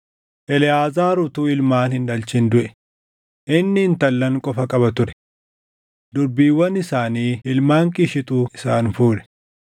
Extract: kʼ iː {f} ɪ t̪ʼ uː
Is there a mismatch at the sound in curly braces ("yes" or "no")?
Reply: yes